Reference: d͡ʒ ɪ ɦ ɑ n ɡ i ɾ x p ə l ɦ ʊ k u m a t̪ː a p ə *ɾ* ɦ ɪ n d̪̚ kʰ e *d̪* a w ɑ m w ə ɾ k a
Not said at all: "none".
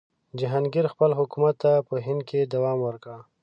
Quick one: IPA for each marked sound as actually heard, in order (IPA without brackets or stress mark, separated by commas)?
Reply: none, d̪